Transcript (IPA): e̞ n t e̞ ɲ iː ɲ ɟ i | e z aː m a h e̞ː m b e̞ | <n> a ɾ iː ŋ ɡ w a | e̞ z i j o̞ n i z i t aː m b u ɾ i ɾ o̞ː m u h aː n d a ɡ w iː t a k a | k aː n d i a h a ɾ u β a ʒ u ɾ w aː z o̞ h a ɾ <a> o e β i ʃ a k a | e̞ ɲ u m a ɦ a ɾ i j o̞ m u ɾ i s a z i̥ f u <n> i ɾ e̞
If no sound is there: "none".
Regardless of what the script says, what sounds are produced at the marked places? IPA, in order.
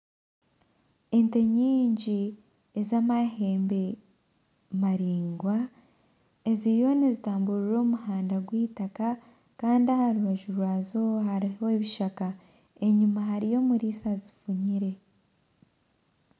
m, i, ɲ

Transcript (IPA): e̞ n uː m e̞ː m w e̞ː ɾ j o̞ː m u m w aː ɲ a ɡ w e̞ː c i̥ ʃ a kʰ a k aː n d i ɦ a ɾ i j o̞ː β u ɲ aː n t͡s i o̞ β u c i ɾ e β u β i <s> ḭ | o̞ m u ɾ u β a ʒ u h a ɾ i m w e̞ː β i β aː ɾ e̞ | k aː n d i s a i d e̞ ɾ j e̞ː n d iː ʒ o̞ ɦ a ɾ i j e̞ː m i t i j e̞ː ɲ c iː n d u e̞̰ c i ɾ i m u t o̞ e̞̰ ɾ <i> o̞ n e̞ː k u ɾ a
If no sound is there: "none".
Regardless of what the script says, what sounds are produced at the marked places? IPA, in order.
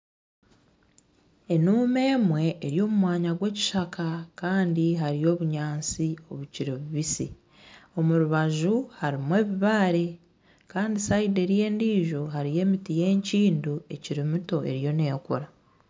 s, j

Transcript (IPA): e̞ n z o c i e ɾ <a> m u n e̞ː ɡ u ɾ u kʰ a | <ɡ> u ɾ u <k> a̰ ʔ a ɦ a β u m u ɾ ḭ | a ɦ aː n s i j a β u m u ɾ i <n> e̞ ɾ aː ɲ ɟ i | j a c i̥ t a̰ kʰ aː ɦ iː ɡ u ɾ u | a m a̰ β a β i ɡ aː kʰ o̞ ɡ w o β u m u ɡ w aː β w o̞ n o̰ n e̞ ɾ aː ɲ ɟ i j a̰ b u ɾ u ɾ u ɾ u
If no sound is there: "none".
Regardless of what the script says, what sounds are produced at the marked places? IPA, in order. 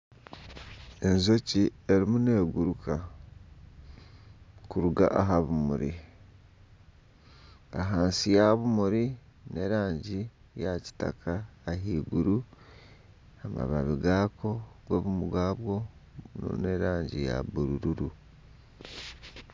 i, k, ɡ, n

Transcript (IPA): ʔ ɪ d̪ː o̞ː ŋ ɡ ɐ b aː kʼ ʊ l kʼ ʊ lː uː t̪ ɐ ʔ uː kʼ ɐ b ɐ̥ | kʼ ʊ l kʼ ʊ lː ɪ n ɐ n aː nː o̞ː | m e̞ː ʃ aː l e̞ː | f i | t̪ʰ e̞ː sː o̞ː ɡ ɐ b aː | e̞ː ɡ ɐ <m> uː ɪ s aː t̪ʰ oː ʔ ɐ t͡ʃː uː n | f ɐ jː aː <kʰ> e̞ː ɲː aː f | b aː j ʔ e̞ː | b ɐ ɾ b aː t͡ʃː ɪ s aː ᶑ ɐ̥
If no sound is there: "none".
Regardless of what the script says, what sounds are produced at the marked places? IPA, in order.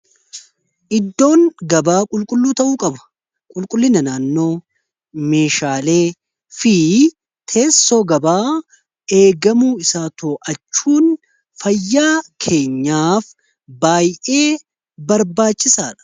m, kʰ

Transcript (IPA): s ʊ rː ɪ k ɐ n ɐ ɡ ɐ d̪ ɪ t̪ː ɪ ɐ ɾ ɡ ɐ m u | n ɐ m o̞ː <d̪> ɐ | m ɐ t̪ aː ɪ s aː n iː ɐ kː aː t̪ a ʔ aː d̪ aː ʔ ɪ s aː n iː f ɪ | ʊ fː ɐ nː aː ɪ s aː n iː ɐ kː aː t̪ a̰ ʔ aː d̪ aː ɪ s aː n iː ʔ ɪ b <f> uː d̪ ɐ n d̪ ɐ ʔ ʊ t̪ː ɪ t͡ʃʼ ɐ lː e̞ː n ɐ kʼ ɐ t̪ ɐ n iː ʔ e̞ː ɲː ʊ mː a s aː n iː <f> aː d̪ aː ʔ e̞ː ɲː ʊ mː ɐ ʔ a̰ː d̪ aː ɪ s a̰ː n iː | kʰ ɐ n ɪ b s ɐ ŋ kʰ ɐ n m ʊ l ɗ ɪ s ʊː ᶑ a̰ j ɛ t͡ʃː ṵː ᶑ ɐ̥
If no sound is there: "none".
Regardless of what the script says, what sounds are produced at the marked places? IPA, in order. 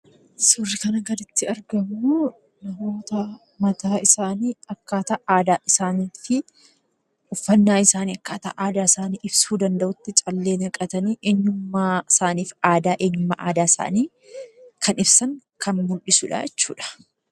t̪, s, f

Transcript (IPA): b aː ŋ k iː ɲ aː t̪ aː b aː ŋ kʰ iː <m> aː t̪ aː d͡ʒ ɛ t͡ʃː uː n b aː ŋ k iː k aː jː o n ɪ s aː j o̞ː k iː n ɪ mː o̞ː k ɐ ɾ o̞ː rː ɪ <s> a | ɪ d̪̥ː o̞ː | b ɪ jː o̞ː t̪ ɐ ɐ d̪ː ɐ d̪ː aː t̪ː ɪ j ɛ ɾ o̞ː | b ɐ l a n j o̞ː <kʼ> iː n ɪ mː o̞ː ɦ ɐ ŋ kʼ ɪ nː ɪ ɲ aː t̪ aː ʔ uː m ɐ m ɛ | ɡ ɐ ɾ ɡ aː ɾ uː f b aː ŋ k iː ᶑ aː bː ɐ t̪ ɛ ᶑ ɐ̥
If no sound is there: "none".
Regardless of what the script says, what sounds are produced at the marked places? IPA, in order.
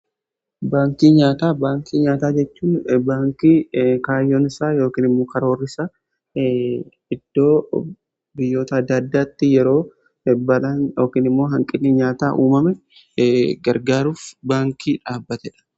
ɲ, s, k

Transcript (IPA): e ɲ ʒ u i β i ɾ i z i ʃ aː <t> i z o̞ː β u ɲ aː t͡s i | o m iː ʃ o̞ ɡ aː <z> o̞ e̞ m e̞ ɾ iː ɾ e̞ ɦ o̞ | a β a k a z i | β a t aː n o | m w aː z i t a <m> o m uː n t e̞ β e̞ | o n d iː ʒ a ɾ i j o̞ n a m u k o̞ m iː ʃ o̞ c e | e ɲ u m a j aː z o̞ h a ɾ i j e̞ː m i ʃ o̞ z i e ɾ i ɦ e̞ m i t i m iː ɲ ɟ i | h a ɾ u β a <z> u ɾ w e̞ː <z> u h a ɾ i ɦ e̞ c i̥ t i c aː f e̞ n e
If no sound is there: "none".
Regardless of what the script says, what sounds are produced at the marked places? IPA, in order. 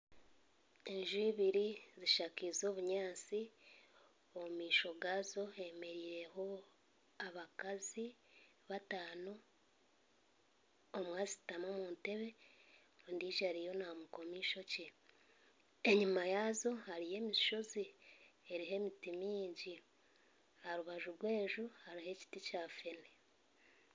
k, z, m, ʒ, ʒ

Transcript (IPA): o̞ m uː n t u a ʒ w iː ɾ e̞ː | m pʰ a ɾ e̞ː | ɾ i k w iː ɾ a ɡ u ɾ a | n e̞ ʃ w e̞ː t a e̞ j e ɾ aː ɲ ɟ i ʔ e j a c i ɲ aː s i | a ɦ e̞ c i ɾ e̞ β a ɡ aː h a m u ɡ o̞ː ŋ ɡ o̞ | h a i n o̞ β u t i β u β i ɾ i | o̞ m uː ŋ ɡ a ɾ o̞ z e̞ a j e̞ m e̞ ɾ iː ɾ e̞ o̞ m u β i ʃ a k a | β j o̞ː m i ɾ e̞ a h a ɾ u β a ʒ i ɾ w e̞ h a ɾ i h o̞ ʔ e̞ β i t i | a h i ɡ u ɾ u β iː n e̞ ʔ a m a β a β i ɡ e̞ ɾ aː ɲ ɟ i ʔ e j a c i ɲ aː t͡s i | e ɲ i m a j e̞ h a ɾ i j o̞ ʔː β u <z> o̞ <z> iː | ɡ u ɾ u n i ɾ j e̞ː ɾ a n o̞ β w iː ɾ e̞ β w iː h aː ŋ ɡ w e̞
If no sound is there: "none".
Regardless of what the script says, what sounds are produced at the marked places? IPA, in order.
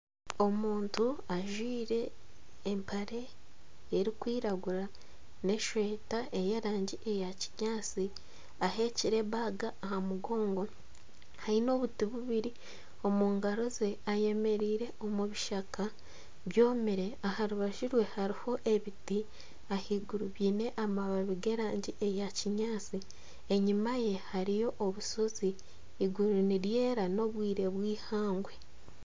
s, z

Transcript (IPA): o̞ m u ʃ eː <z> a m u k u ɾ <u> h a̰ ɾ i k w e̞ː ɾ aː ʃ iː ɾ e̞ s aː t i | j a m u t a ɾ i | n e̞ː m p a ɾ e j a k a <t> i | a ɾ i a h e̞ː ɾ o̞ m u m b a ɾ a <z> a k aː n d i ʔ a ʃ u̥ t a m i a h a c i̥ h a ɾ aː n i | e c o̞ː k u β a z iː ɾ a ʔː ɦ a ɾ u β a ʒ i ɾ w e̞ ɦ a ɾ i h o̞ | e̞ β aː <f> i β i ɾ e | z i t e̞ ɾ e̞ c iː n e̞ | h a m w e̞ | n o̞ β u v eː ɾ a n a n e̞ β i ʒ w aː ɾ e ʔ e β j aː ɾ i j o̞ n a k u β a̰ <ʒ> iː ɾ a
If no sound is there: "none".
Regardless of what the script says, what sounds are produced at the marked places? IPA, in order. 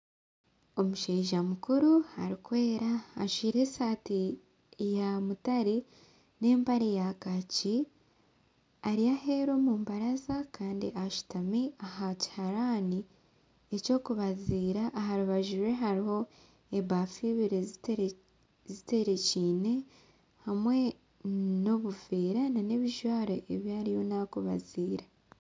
ʒ, u, c, z, f, z

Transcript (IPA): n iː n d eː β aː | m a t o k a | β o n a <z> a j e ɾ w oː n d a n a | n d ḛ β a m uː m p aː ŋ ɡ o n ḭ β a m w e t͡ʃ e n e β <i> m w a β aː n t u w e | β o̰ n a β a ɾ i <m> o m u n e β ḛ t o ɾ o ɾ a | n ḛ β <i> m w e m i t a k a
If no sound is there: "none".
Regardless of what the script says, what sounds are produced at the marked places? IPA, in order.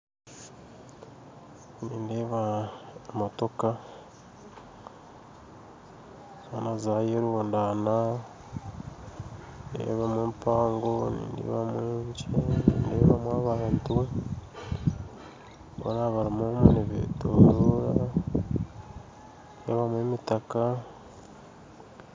z, a, m, a

